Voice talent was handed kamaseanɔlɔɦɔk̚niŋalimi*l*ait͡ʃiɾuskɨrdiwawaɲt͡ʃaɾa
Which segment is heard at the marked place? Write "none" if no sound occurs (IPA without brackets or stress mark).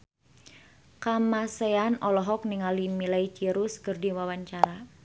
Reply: l